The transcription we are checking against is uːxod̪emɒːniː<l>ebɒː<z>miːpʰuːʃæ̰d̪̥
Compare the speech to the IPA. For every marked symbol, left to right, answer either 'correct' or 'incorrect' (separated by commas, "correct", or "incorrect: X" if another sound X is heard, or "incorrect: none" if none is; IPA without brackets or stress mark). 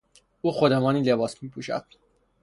correct, incorrect: s